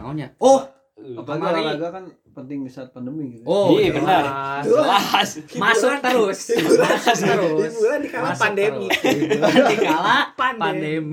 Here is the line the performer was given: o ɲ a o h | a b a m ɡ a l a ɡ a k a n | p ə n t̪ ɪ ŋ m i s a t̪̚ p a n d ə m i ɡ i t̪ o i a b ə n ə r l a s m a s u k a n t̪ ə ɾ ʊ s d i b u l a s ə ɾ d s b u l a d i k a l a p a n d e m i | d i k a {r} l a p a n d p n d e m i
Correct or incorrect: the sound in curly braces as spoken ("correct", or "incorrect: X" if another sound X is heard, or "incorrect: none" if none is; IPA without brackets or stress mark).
incorrect: none